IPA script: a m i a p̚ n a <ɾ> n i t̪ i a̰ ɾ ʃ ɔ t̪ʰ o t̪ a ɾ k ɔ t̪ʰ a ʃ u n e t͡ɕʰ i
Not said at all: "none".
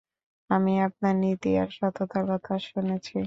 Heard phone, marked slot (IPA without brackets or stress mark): ɾ